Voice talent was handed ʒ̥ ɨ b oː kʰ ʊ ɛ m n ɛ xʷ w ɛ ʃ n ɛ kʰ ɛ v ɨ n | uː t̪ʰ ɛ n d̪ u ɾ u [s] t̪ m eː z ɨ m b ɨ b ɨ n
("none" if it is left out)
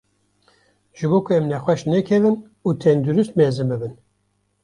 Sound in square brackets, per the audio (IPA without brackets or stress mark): s